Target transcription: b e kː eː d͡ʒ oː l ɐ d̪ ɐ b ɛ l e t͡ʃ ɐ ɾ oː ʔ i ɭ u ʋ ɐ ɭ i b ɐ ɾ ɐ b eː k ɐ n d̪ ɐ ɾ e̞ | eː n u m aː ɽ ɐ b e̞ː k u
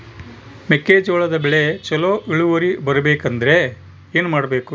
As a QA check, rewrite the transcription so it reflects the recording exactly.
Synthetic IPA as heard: m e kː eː d͡ʒ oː ɭ ɐ d̪ ɐ b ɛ ɭ e t͡ʃ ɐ l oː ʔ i ɭ u ʋ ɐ ɾ i b ɐ ɾ ɐ b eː k ɐ n d̪ ɐ ɾ e̞ | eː n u m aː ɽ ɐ b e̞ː k u